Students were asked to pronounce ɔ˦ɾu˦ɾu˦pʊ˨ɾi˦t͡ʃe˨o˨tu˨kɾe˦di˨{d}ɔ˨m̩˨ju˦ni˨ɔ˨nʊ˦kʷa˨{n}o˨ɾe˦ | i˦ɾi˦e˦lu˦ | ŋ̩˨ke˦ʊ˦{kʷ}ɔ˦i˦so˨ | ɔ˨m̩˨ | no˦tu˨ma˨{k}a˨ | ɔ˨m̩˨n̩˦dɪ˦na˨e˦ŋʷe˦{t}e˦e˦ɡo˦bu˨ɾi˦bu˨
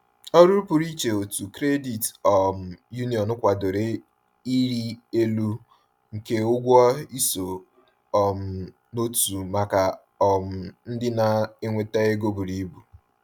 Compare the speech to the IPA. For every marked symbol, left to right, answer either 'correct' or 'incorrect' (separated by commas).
incorrect, incorrect, incorrect, correct, correct